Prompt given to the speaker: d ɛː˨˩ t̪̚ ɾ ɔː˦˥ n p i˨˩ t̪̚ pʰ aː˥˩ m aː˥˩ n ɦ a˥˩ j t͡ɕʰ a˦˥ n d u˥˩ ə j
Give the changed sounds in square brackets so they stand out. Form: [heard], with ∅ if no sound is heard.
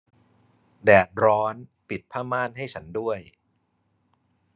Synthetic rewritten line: d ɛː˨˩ t̪̚ ɾ ɔː˦˥ n p i˨˩ t̪̚ pʰ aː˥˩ m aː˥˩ n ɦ a˥˩ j t͡ɕʰ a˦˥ n d u˥˩ ə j